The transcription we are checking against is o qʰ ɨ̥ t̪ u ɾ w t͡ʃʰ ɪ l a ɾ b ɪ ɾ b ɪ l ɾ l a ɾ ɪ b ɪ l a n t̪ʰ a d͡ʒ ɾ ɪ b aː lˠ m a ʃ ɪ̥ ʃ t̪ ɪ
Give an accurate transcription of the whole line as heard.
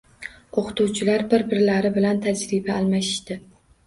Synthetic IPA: o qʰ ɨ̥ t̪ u w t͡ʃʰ ɪ l a ɾ b ɪ ɾ b ɪ ɾ l a ɾ ɪ b ɪ l a n t̪ʰ a d͡ʒ ɾ ɪ b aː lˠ m a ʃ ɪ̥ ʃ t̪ ɪ

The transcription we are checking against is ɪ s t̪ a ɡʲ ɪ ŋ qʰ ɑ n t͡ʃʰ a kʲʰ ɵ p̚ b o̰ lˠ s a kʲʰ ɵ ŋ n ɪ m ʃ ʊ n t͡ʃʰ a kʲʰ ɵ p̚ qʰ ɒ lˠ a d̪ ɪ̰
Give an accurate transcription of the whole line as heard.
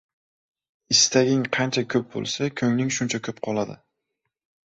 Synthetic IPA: ɪ s t̪ a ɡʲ ɪ ŋ qʰ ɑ n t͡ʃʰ a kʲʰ ɵ p̚ b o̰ lˠ s a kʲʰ ɵ ŋ n ɪ ŋ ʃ ʊ n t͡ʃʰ a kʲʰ ɵ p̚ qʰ ɒ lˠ a d̪ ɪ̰

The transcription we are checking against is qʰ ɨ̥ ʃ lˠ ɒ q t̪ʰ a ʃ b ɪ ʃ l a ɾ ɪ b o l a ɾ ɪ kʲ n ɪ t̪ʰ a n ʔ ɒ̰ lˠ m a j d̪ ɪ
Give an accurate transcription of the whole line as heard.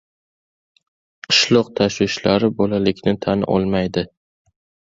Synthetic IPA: qʰ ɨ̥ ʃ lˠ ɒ q t̪ʰ a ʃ w ɪ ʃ l a ɾ ɪ b o l a l ɪ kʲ n ɪ t̪ʰ a n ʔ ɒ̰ lˠ m a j d̪ ɪ

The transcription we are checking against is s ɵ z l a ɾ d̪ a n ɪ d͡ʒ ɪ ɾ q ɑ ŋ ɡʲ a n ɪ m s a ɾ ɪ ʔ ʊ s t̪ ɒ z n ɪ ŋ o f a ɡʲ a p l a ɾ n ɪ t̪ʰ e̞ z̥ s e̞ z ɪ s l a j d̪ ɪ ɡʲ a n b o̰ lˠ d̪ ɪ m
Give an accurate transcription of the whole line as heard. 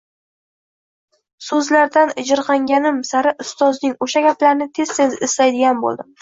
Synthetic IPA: s ɵ z l a ɾ d̪ a n ɪ d͡ʒ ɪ ɾ q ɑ ŋ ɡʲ a n ɪ m s a ɾ ɪ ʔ ʊ s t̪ ɒ z n ɪ ŋ o ʃ a ɡʲ a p l a ɾ n ɪ t̪ʰ e̞ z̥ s e̞ z ɪ s l a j d̪ ɪ ɡʲ a n b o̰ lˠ d̪ ɪ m

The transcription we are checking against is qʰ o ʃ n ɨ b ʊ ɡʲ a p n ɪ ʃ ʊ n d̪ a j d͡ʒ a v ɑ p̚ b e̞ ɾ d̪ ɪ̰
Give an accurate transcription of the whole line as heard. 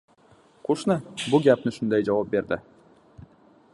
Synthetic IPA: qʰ o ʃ n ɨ b ʊ ɡʲ a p n ɪ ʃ ʊ n d̪ a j d͡ʒ a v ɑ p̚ b e̞ ɾ d̪ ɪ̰

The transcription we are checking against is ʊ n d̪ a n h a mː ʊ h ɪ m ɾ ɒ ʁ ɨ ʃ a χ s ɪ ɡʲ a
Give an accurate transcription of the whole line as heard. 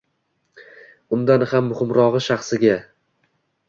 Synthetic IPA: ʊ n d̪ a n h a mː ʊ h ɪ m ɾ ɒ ʁ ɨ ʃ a χ s ɪ ɡʲ a

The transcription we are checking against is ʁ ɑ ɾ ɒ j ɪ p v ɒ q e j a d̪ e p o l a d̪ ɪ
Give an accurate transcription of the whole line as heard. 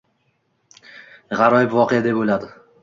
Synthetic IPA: ʁ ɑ ɾ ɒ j ɪ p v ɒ q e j a d̪ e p o l a d̪ ɪ

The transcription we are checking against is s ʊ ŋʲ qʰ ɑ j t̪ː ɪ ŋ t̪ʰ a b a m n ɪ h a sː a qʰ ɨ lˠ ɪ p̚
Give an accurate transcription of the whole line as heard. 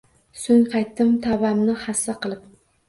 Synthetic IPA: s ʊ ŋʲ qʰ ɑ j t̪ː ɪ m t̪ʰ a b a m n ɪ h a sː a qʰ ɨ lˠ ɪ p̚

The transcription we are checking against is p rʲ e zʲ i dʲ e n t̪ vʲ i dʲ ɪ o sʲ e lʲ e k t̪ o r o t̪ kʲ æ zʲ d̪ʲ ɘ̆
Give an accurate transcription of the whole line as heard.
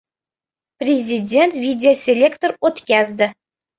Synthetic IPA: p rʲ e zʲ i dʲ e n t̪ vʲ i dʲ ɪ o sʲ e lʲ e k t̪ o r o t̪ kʲ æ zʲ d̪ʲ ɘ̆

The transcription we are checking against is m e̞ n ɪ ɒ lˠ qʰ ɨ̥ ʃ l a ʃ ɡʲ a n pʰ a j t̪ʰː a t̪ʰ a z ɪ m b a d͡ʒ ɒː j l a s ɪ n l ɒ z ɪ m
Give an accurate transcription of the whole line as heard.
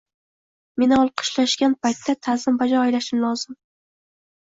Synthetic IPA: m e̞ n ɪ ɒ lˠ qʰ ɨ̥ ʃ l a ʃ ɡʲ a n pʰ a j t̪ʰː a t̪ʰ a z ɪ m b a d͡ʒ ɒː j l a ʃ ɪ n l ɒ z ɪ m

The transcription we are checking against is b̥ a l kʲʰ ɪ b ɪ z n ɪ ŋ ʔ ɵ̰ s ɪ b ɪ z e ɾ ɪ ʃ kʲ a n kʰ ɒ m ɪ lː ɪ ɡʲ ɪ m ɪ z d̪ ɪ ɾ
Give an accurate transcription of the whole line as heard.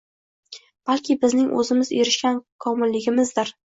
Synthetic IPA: b̥ a l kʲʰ ɪ b ɪ z n ɪ ŋ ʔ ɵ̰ z ɪ m ɪ z e ɾ ɪ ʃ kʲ a n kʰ ɒ m ɪ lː ɪ ɡʲ ɪ m ɪ z d̪ ɪ ɾ

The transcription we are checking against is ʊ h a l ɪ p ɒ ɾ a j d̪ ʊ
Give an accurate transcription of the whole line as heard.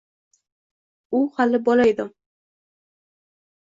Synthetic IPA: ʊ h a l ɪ b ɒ l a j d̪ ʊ

